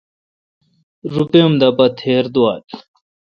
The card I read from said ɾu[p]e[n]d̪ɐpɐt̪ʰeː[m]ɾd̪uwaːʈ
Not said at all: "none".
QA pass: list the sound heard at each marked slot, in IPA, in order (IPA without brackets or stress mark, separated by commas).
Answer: p, m, none